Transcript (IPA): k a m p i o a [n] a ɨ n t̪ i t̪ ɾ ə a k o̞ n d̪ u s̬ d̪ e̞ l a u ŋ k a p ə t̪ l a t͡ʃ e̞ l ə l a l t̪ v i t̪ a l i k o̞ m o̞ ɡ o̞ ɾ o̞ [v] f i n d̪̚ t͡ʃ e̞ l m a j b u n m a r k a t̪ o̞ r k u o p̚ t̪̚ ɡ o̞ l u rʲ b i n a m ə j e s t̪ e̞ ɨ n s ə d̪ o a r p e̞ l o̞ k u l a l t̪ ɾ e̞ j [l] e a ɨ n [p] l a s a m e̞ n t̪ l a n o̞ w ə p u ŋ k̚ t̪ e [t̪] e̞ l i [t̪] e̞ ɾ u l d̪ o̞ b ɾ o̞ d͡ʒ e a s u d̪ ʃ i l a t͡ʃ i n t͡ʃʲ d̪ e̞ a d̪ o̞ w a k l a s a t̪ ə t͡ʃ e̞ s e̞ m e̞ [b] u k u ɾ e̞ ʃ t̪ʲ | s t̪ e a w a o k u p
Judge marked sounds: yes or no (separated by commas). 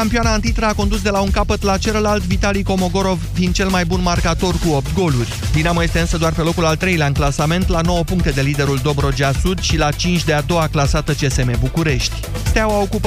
yes, yes, yes, no, no, no, yes